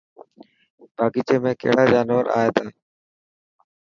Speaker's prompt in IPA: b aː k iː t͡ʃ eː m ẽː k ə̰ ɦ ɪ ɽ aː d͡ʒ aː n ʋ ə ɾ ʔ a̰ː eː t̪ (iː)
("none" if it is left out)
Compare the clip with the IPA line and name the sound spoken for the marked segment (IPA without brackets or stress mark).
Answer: aː